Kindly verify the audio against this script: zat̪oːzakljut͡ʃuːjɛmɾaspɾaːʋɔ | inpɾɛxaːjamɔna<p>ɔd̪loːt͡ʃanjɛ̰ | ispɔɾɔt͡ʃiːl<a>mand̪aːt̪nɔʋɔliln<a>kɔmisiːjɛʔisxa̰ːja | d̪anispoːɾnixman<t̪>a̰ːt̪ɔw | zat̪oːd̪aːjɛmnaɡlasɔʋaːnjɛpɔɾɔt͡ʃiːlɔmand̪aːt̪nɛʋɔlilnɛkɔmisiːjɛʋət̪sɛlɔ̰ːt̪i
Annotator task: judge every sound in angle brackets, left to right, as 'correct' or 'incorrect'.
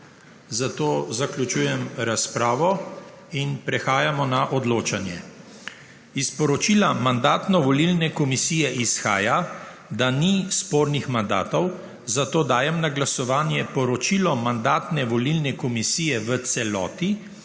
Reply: incorrect, correct, incorrect, incorrect

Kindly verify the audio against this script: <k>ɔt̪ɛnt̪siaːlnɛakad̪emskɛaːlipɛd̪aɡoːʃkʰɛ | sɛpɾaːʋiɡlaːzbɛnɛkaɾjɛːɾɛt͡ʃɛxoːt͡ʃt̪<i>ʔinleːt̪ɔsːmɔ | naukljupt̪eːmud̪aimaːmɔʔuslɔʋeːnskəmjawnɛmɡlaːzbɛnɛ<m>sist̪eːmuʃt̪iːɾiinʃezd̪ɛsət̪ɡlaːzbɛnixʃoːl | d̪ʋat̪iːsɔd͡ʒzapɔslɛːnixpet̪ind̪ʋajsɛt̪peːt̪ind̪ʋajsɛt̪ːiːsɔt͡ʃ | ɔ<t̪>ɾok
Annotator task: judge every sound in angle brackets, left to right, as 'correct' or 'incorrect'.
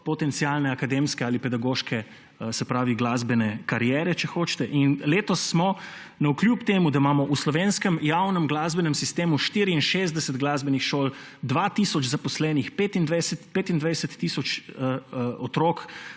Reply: incorrect, incorrect, correct, correct

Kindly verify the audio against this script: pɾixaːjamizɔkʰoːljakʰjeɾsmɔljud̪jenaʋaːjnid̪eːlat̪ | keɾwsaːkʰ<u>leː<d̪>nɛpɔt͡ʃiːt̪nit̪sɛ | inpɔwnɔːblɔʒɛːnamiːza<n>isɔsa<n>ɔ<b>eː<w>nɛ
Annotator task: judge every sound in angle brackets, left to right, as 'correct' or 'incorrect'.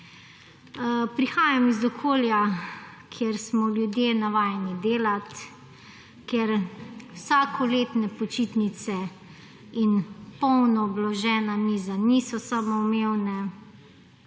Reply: incorrect, incorrect, correct, incorrect, incorrect, correct

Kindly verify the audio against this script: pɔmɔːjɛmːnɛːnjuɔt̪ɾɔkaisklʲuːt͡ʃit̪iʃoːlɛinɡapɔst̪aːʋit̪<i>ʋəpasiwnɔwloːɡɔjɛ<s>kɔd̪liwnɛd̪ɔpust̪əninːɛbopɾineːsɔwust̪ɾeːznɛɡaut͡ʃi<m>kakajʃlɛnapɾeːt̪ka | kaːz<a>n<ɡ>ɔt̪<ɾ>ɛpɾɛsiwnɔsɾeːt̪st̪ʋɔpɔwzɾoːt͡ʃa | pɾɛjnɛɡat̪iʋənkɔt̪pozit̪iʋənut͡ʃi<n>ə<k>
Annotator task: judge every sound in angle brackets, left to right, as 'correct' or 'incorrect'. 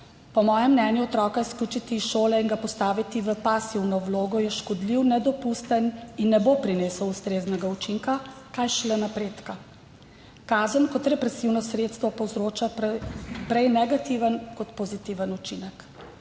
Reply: correct, incorrect, incorrect, incorrect, incorrect, correct, correct, correct

